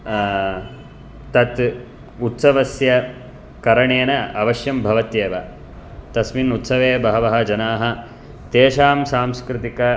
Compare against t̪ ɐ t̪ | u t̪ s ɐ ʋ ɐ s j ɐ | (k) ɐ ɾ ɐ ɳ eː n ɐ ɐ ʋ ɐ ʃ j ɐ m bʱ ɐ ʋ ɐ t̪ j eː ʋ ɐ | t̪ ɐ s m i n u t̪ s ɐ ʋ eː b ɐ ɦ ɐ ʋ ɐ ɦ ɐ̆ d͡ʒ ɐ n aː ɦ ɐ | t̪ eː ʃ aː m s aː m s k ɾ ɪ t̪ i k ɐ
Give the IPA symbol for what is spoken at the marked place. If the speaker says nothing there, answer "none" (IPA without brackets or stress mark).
k